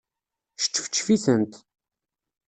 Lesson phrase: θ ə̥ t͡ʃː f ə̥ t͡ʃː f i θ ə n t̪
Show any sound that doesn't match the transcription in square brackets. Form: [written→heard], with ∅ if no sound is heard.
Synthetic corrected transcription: [θ→ʃ] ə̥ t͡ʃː f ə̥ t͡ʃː f i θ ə n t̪